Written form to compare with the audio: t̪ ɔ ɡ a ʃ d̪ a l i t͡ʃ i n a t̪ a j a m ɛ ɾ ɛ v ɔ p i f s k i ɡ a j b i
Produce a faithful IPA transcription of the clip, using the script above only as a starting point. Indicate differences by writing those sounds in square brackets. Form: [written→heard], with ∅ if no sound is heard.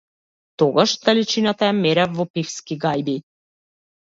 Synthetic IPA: t̪ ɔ ɡ a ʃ d̪ a l i t͡ʃ i n a t̪ a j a m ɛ ɾ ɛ v ɔ p i f s k i ɡ a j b i

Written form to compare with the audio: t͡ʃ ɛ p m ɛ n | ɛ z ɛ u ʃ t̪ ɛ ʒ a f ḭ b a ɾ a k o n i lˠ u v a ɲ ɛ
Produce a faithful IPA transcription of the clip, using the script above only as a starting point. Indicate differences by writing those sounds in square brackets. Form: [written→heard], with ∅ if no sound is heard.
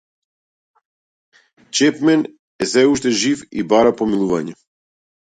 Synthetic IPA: t͡ʃ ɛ p m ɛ n | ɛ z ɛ u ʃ t̪ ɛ ʒ [a→i] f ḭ b a ɾ a [k→p] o [n→m] i lˠ u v a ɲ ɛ

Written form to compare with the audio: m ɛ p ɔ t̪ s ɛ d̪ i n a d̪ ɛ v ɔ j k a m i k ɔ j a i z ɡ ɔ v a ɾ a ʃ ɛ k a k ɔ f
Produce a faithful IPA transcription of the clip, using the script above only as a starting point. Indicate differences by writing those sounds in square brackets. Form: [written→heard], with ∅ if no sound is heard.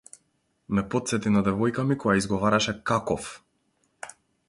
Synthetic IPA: m ɛ p ɔ t̪ s ɛ [d̪→t̪] i n a d̪ ɛ v ɔ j k a m i k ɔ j a i z ɡ ɔ v a ɾ a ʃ ɛ k a k ɔ f

